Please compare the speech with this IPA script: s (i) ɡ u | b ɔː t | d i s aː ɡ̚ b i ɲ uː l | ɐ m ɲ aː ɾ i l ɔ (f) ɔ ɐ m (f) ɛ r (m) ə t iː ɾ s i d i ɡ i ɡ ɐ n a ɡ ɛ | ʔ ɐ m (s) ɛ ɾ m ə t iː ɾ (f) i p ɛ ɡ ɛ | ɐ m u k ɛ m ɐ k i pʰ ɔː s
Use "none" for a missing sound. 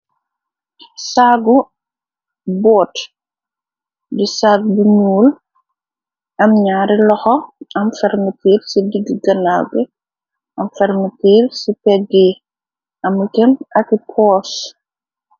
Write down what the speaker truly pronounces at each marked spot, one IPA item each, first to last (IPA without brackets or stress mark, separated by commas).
a, x, f, m, f, s